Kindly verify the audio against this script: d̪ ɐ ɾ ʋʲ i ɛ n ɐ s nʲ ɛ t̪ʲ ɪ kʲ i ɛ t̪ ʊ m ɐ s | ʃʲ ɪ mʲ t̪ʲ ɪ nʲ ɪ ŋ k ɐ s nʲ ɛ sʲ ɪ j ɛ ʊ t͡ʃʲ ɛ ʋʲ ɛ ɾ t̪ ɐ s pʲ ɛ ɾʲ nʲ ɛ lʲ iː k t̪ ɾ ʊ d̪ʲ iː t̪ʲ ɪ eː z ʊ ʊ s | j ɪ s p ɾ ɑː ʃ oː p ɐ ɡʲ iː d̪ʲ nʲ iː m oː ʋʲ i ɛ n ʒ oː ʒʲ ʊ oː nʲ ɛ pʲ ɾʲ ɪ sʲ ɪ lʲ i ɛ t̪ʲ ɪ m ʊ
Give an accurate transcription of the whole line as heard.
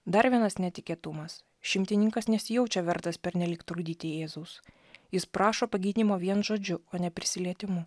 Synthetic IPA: d̪ ɐ ɾ ʋʲ i ɛ n ɐ s nʲ ɛ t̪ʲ ɪ kʲ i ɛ t̪ ʊ m ɐ s | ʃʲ ɪ mʲ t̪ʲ ɪ nʲ ɪ ŋ k ɐ s nʲ ɛ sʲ ɪ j ɛ ʊ t͡ʃʲ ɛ ʋʲ ɛ ɾ t̪ ɐ s pʲ ɛ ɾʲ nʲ ɛ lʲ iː k t̪ ɾ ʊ d̪ʲ iː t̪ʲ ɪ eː z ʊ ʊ s | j ɪ s p ɾ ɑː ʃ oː p ɐ ɡʲ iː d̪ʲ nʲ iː m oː ʋʲ i ɛ n ʒ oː d͡ʒʲ ʊ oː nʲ ɛ pʲ ɾʲ ɪ sʲ ɪ lʲ i ɛ t̪ʲ ɪ m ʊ